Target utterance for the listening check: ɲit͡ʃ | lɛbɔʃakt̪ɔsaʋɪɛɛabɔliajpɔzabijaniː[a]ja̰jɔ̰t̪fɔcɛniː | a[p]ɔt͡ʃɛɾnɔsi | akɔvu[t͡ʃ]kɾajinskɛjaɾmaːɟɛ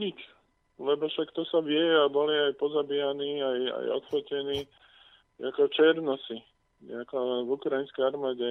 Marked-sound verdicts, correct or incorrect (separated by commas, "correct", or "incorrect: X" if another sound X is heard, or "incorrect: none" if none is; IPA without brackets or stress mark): correct, incorrect: k, incorrect: none